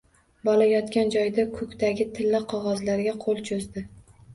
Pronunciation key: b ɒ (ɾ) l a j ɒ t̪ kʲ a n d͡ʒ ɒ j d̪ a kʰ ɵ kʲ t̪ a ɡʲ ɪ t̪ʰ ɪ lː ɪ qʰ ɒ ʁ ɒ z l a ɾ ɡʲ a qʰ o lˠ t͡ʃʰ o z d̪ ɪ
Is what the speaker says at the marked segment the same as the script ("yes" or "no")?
no